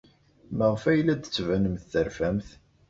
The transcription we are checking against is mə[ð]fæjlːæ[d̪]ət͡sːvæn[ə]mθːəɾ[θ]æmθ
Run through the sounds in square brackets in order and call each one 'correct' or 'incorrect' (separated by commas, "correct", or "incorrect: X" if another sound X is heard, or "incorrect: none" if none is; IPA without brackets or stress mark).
incorrect: ʁ, correct, correct, incorrect: f